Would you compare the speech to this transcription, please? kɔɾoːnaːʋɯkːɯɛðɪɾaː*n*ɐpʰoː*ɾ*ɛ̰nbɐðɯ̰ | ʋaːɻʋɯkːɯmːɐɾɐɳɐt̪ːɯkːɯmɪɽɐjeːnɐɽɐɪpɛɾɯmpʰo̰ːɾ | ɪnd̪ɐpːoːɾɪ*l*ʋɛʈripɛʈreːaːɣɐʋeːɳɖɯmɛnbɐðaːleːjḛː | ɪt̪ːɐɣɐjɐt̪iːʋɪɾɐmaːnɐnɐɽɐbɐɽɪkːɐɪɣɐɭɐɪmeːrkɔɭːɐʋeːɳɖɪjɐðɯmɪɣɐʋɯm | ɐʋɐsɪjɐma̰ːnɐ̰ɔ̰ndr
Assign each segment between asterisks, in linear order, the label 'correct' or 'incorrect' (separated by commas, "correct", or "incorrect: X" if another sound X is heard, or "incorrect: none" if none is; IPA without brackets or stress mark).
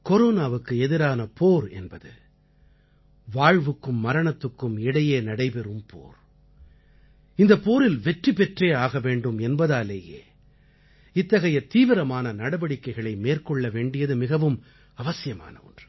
correct, correct, correct